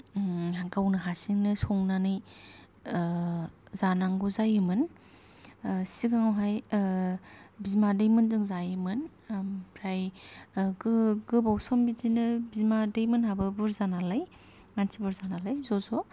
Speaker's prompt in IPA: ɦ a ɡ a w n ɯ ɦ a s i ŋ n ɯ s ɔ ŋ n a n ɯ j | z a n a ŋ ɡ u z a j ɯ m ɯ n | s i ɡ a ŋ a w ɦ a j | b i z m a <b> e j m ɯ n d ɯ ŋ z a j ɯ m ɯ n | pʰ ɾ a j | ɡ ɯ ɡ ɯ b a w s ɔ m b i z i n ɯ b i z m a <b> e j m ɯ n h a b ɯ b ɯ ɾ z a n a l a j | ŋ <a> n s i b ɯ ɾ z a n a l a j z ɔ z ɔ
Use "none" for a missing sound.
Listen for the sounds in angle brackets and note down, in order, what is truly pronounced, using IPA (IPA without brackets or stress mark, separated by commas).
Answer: d, d, a